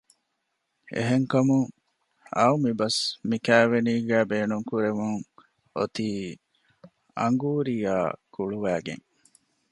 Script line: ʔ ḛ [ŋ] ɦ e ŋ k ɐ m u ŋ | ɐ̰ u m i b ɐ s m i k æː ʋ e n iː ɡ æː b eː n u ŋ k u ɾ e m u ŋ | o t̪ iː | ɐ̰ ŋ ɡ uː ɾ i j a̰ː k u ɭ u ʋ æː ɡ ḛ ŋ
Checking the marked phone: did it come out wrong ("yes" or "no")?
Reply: yes